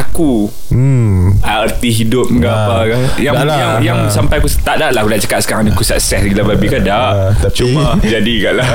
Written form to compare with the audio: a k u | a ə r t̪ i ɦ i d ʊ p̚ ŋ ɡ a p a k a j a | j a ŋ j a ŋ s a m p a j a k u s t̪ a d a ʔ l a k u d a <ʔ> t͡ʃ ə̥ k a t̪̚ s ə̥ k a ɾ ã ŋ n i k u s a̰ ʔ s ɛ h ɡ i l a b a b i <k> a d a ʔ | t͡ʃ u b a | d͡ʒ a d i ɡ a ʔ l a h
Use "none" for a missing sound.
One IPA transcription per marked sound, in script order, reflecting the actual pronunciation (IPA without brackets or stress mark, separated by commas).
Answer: ʔ, k